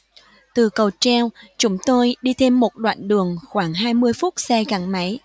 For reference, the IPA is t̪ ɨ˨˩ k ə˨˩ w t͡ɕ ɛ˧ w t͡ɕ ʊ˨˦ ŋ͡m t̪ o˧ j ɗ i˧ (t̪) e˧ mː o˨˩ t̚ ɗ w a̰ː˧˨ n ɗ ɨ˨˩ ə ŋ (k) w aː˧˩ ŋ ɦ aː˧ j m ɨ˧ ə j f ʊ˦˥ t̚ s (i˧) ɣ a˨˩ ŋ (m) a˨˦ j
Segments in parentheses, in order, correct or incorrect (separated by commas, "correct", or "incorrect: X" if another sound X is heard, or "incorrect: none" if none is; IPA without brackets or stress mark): incorrect: t̪ʰ, incorrect: x, incorrect: ɛ˧, correct